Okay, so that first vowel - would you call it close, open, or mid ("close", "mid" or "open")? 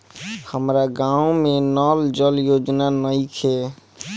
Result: mid